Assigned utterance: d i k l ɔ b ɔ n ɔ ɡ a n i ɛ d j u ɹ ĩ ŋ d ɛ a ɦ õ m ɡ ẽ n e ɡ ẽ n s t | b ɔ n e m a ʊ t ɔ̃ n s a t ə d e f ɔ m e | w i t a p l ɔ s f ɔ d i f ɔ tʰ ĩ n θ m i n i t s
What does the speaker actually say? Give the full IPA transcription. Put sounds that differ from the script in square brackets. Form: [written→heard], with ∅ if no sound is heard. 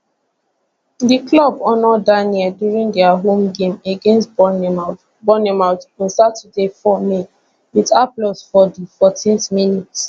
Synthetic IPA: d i k l ɔ b ɔ n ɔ [ɡ→d] a n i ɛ d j u ɹ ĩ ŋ d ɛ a ɦ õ m ɡ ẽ [n→m] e ɡ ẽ n s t | b ɔ n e m a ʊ t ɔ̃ n s a t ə d e f ɔ m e | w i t a p l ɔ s f ɔ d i f ɔ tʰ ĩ n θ m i n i t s

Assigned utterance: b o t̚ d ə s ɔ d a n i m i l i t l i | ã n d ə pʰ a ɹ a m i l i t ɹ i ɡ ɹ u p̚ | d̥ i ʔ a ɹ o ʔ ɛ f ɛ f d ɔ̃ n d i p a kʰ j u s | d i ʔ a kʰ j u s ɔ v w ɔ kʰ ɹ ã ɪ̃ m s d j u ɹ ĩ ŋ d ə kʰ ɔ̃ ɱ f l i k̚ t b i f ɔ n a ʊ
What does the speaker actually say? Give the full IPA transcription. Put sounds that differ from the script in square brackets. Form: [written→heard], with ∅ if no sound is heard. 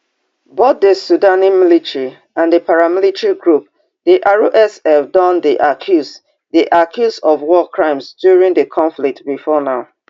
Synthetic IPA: b o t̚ d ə s [ɔ→u] d a n i m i l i t [l→ɹ] i | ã n d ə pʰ a ɹ a m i l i t ɹ i ɡ ɹ u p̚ | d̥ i ʔ a ɹ o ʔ ɛ [f→s] ɛ f d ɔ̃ n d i [p→ʔ] a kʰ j u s | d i ʔ a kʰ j u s ɔ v w ɔ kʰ ɹ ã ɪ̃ m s d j u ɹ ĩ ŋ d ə kʰ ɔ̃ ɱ f l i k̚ t b i f ɔ n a ʊ

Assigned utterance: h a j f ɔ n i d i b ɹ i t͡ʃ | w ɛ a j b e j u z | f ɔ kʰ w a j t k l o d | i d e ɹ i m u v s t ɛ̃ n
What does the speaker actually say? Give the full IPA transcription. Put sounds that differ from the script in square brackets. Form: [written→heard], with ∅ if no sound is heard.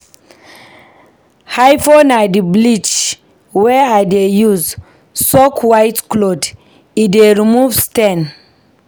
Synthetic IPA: h a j f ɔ n [i→a] d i b [ɹ→l] i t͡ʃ | w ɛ a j [b→d] e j u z | [f→s] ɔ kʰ w a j t k l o d | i d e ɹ i m u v s t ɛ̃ n

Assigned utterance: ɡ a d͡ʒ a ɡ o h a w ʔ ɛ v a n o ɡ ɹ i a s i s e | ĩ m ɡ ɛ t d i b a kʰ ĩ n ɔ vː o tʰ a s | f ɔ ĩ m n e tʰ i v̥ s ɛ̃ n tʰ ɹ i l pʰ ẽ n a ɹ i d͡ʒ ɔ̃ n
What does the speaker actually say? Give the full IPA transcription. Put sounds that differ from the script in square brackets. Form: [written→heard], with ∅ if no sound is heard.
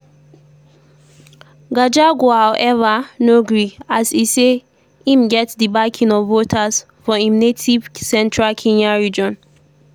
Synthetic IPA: ɡ a d͡ʒ a ɡ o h a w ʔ ɛ v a n o ɡ ɹ i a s i s e | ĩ m ɡ ɛ t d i b a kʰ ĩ n ɔ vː o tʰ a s | f ɔ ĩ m n e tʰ i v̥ s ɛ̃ n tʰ ɹ [i→a] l [pʰ→kʰ] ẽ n a ɹ i d͡ʒ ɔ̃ n

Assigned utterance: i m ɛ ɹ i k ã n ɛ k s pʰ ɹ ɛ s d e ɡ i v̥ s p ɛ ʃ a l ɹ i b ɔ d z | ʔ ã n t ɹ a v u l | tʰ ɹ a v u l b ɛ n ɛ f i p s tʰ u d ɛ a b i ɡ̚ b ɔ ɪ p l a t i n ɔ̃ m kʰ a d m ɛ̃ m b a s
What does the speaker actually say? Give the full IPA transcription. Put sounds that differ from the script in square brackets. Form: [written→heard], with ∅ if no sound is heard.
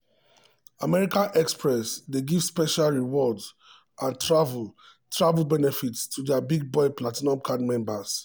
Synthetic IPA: [i→a] m ɛ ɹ i k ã n ɛ k s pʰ ɹ ɛ s d e ɡ i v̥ s p ɛ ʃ a l ɹ i [b→w] ɔ d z | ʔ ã n t ɹ a v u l | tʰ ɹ a v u l b ɛ n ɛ f i [p→t] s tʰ u d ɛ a b i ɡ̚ b ɔ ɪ p l a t i n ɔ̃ m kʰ a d m ɛ̃ m b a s

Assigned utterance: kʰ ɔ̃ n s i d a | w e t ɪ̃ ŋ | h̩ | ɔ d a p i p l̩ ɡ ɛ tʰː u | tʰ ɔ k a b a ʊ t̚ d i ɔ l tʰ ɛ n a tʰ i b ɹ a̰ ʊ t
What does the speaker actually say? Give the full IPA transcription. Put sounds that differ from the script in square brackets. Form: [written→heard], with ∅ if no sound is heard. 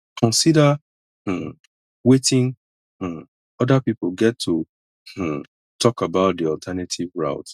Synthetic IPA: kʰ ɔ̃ n s i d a | w e t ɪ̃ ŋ | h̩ | ɔ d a p i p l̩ ɡ ɛ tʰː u | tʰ ɔ k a b a ʊ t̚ d i ɔ l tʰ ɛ n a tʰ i [b→v] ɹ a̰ ʊ t

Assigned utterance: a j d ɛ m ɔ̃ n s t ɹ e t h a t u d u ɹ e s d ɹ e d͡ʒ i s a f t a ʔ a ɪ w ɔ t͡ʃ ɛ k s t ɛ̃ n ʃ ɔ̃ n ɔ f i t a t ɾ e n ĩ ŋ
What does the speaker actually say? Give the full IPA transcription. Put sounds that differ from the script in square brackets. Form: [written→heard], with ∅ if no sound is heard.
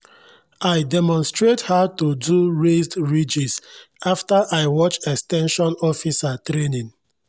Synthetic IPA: a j d ɛ m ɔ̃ n s t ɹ e t h a t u d u ɹ e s d ɹ [e→i] d͡ʒ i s a f t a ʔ a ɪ w ɔ t͡ʃ ɛ k s t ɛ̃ n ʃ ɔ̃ n ɔ f i [t→s] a t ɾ e n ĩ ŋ

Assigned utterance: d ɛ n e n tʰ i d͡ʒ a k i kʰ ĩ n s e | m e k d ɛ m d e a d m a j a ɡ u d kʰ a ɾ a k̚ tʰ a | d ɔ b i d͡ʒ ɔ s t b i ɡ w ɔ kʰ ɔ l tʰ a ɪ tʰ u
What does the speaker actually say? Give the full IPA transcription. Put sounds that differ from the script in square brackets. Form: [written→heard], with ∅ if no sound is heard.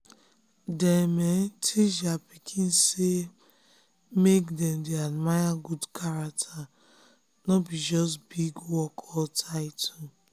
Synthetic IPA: d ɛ [n→m] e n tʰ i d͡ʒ a [k→p] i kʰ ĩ n s e | m e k d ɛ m d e a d m a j a ɡ u d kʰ a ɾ a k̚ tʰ a | [d→n] ɔ b i d͡ʒ ɔ s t b i ɡ w ɔ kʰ ɔ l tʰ a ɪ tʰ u

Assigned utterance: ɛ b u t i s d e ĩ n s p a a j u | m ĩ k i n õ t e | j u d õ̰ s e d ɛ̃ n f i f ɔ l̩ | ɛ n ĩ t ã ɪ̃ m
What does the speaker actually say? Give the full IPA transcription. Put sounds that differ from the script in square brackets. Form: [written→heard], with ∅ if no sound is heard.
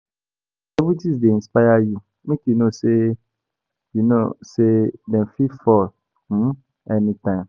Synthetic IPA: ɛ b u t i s d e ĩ n s p a a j u | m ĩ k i n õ [t→s] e | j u [d→n] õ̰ s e d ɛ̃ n f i f ɔ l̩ | ɛ n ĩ t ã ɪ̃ m

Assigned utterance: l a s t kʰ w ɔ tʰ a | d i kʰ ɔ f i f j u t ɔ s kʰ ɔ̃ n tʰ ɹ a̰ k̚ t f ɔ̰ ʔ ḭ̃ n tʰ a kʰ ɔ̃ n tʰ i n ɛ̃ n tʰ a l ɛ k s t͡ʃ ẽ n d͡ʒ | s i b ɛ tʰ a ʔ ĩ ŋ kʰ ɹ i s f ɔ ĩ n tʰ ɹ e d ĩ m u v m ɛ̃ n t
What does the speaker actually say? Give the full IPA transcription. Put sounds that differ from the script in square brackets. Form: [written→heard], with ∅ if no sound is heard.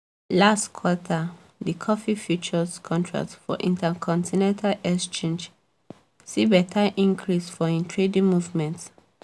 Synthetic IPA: l a s t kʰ w ɔ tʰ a | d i kʰ ɔ f i f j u [t→t͡ʃ] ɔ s kʰ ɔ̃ n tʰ ɹ a̰ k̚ t f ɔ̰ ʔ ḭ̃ n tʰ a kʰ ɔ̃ n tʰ i n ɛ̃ n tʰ a l ɛ k s t͡ʃ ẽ n d͡ʒ | s i b ɛ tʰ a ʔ ĩ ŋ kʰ ɹ i s f ɔ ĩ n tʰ ɹ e d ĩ m u v m ɛ̃ n t

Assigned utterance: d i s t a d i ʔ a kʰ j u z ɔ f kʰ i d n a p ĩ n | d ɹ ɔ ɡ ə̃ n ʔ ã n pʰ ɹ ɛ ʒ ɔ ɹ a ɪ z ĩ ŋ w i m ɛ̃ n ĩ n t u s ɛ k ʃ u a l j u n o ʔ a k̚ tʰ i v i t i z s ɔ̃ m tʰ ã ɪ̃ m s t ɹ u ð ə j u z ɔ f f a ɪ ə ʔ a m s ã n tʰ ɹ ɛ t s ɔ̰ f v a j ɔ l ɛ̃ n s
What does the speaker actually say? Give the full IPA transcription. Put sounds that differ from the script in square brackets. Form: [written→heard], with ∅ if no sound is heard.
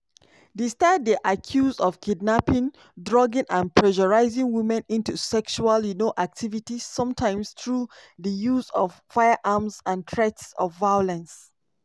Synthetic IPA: d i s t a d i ʔ a kʰ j u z ɔ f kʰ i d n a p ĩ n | d ɹ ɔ ɡ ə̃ n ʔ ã n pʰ ɹ ɛ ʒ ɔ ɹ a ɪ z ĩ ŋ w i m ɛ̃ n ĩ n t u s ɛ k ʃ u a l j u n o ʔ a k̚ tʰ i v i t i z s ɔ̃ m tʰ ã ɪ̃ m s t ɹ u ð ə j u z ɔ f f a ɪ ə ʔ a m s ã n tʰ ɹ ɛ t s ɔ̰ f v a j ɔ l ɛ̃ n s

